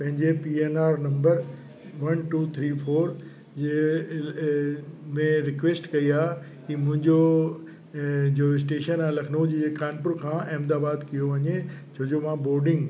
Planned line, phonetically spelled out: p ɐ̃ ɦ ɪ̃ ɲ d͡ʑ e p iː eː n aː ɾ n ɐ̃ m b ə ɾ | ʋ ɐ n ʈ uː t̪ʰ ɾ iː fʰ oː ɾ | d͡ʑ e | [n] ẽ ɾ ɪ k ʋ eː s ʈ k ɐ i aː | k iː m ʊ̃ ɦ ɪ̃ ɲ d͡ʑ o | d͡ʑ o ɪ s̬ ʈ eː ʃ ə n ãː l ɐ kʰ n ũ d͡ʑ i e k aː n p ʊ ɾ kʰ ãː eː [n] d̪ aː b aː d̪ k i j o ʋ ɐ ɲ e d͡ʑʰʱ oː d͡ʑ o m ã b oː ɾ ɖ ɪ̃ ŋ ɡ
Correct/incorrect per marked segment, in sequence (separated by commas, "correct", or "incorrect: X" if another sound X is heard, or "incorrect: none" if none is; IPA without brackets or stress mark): incorrect: m, incorrect: m